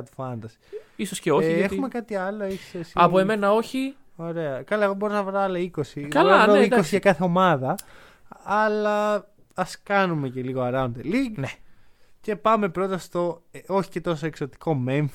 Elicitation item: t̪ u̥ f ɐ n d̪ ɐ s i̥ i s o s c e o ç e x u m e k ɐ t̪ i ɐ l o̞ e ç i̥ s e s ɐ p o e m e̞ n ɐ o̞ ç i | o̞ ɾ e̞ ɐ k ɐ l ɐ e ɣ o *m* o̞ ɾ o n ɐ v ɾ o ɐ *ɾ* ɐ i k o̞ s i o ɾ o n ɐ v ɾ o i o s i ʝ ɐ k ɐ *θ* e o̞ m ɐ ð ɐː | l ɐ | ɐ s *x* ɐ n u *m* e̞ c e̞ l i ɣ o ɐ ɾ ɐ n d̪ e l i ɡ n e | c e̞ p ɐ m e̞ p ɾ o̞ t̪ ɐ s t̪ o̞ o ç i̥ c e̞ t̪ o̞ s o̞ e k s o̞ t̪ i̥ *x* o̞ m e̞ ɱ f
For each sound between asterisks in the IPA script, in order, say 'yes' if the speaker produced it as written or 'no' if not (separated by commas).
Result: no, no, yes, no, yes, no